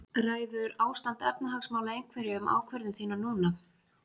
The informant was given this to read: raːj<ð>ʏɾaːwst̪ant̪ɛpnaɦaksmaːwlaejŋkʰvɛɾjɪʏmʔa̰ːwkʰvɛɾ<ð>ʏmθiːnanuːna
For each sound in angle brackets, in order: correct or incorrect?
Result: correct, correct

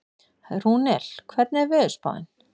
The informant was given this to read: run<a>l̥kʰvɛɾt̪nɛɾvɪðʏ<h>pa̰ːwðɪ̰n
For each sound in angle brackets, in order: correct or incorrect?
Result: incorrect: ɛ, incorrect: s

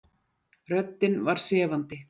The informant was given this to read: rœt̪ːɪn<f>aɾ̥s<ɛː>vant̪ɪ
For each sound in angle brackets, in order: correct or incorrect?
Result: incorrect: v, correct

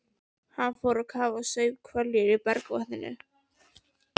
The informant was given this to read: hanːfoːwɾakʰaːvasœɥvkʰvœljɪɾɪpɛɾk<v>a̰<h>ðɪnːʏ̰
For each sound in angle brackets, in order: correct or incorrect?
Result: correct, correct

